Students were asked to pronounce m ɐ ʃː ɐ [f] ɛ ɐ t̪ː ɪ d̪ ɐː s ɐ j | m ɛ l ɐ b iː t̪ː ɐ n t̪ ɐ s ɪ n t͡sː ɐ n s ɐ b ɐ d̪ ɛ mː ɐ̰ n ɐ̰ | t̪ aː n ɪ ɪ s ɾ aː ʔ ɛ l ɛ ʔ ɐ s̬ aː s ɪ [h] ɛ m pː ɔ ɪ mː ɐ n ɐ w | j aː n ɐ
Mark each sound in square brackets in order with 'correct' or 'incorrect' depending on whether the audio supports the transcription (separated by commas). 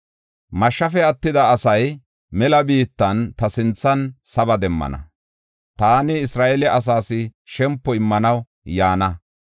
correct, incorrect